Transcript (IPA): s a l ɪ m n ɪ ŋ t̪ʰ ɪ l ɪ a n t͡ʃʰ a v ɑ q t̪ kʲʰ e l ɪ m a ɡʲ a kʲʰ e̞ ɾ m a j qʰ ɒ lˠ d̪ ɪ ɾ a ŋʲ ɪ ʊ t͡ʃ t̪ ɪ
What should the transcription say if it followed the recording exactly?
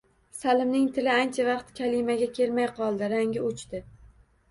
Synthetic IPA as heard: s a l ɪ m n ɪ ŋ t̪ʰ ɪ l ɪ a n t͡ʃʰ a v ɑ q t̪ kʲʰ a l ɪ m a ɡʲ a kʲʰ e̞ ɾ m a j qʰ ɒ lˠ d̪ ɪ ɾ a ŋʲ ɪ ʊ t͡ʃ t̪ ɪ